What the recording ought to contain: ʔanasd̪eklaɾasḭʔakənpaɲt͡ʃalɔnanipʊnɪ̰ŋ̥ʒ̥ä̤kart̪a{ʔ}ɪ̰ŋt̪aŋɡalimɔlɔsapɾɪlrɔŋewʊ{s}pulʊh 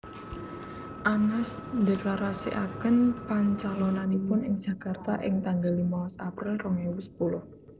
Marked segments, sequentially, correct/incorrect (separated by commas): correct, correct